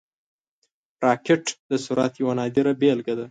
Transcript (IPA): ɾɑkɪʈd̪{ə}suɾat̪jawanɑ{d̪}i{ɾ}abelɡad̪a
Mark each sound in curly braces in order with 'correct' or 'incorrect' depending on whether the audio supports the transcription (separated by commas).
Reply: correct, correct, correct